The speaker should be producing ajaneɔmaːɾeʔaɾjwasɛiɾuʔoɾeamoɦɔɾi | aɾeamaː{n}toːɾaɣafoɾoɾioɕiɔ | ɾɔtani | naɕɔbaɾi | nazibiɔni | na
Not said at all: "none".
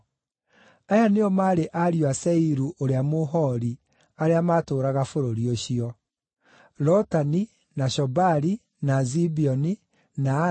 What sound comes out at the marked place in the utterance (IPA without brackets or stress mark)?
none